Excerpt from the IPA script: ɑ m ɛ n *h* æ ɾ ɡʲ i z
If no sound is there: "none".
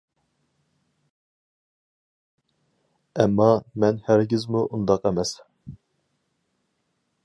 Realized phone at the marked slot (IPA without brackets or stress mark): h